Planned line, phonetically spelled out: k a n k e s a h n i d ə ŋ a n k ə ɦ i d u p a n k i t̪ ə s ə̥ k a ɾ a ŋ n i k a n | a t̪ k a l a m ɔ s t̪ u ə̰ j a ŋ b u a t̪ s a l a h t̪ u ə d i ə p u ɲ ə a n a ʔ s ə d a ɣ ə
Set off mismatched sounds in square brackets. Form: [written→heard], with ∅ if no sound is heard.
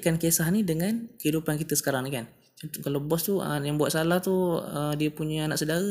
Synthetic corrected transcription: k a n k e s a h n i d ə ŋ a n k ə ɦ i d u p a n k i t̪ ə s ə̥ k a ɾ a ŋ n i k a n | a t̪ k a l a [m→b] ɔ s t̪ u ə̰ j a ŋ b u a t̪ s a l a h t̪ u ə d i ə p u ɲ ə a n a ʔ s ə d a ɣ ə